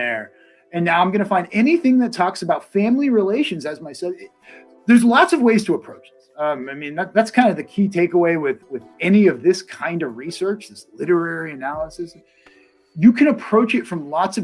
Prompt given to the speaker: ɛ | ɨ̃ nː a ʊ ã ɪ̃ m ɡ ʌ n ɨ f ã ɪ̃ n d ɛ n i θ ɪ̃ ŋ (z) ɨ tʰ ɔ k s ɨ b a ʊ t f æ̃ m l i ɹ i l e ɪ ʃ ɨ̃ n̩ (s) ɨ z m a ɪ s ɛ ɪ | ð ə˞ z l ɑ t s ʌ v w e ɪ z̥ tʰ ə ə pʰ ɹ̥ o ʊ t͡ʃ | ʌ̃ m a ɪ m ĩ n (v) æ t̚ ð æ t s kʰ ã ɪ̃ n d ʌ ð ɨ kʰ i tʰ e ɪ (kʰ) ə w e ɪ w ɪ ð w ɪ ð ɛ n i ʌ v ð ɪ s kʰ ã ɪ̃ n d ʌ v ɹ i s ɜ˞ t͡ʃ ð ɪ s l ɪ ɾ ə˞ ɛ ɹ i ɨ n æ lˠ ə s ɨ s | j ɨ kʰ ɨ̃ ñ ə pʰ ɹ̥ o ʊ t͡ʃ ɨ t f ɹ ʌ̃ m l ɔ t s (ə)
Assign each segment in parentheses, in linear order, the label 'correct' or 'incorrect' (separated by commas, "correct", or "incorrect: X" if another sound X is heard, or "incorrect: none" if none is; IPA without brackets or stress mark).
incorrect: ð, incorrect: z, incorrect: ð, incorrect: k, incorrect: ʌ